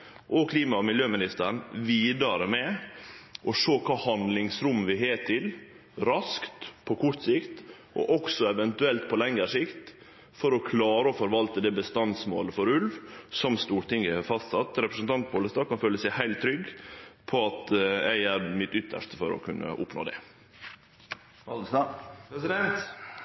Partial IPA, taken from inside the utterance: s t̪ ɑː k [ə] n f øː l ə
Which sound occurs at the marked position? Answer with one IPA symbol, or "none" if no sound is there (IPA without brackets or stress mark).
ɑ